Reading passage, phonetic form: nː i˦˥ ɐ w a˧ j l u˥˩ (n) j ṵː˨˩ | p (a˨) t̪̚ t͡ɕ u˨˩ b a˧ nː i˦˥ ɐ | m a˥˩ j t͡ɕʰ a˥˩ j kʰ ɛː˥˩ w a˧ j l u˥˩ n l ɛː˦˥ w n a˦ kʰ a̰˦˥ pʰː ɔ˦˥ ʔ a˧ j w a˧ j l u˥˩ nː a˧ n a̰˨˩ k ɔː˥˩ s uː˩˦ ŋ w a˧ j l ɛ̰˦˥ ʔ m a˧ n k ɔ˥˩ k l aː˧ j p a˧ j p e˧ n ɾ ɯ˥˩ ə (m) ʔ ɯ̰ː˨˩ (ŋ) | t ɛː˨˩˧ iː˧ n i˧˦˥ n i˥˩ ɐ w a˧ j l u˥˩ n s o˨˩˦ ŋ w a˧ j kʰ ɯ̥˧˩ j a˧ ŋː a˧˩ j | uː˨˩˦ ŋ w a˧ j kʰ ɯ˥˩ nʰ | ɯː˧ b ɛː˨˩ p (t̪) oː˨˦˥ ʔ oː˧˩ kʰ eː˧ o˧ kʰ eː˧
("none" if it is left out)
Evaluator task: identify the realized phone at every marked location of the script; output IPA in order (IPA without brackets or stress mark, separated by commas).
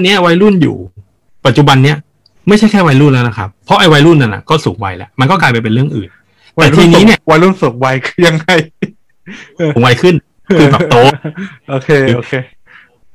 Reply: n, a˨, ŋ, n, t̪